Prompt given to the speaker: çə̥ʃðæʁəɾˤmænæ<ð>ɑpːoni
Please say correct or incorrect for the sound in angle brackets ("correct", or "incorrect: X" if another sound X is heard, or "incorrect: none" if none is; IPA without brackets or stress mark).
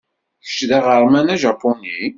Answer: incorrect: ʒ